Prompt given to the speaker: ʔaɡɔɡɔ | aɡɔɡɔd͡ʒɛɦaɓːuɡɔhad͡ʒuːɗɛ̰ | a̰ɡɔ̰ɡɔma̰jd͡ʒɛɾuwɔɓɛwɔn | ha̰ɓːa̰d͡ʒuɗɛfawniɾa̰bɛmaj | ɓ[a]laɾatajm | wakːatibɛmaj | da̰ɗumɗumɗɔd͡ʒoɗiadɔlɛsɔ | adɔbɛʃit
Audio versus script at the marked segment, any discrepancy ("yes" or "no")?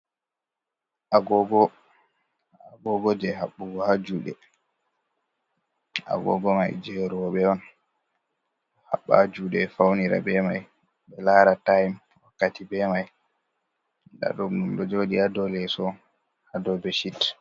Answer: yes